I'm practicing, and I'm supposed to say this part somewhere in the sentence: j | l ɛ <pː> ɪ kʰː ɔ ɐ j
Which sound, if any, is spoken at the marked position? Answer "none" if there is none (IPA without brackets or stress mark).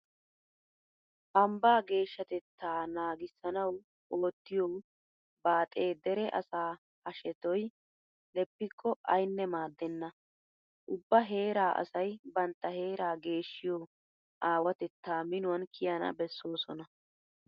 pː